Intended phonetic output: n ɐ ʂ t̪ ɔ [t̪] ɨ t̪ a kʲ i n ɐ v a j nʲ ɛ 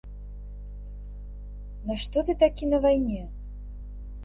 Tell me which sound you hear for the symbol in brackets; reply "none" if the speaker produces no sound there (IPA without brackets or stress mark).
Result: t̪